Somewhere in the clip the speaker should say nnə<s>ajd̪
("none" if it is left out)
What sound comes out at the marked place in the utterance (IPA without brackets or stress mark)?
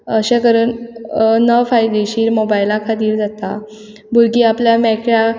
f